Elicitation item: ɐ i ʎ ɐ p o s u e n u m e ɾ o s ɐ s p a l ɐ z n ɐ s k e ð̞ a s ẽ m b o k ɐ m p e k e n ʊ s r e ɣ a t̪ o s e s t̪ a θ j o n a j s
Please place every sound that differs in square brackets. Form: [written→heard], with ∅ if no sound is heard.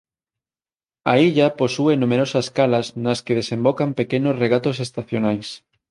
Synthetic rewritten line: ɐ i ʎ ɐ p o s u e n u m e ɾ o s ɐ s [p→k] a l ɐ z n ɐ s k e ð̞ [a→e] s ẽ m b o k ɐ m p e k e n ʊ s r e ɣ a t̪ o s e s t̪ a θ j o n a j s